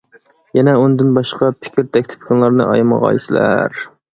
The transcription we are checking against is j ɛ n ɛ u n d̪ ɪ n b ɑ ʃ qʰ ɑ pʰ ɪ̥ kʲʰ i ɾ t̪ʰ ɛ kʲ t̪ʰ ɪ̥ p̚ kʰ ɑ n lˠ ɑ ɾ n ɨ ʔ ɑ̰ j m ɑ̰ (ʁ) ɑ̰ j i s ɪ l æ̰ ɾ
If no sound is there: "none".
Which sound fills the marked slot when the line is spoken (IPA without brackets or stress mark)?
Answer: ʁ